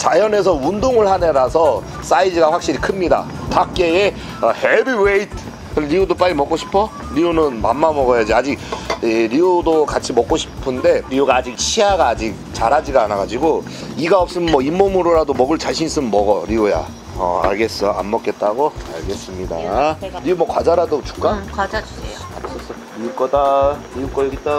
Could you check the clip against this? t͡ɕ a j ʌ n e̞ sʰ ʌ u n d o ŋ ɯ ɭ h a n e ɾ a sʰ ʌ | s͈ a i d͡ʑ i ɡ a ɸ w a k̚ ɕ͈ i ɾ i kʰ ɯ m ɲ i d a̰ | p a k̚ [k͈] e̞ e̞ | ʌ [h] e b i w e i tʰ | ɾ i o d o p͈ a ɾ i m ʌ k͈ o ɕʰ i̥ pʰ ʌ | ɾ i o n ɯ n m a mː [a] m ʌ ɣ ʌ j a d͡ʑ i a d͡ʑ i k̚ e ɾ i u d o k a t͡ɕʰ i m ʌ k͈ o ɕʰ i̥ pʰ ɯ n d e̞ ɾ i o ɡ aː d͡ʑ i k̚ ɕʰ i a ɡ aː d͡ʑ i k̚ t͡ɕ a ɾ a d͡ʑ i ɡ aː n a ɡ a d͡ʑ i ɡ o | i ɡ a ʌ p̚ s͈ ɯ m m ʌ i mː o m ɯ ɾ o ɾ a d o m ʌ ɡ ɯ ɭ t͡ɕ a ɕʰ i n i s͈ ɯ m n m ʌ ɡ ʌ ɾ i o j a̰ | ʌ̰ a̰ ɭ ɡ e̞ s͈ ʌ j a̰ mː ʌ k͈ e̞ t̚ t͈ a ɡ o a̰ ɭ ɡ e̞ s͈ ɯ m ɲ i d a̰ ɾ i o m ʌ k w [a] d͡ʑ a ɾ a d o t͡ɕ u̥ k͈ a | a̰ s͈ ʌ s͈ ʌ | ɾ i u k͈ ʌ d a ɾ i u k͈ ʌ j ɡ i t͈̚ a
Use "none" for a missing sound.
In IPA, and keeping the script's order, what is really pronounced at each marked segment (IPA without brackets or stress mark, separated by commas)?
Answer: k͈, h, a, a